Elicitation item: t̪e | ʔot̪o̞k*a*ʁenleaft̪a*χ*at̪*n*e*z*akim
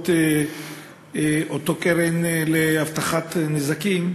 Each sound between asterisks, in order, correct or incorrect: incorrect: e, correct, correct, correct

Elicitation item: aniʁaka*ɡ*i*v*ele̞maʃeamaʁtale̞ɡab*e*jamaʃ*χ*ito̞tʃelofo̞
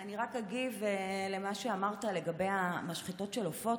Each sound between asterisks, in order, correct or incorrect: correct, correct, correct, correct

